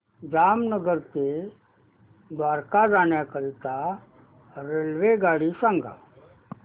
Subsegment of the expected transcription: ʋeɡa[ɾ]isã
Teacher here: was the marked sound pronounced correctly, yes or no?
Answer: no